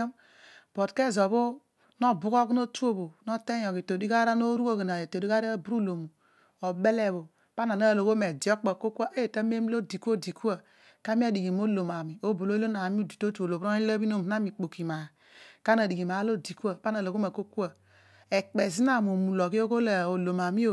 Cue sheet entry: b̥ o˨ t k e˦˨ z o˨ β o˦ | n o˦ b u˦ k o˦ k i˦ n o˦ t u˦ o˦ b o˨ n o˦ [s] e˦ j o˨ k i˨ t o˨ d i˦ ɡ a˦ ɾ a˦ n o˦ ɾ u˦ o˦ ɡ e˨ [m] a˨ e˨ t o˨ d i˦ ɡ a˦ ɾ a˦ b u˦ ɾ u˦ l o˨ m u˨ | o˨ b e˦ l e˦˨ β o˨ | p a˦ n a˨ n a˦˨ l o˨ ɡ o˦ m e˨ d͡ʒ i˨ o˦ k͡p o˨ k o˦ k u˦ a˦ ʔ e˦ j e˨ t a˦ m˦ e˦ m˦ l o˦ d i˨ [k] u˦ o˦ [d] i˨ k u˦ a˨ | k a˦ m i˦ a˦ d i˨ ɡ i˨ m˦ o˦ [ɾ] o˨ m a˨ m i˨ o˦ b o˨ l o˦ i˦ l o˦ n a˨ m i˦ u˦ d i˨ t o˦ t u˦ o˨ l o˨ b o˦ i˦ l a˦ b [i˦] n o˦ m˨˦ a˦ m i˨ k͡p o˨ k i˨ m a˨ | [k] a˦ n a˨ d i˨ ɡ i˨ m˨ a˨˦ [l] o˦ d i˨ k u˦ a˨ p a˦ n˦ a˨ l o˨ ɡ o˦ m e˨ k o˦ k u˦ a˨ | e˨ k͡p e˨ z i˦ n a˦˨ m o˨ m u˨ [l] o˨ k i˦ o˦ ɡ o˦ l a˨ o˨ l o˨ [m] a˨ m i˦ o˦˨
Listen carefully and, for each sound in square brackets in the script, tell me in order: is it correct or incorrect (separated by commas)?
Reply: incorrect, incorrect, correct, correct, incorrect, correct, correct, correct, correct, correct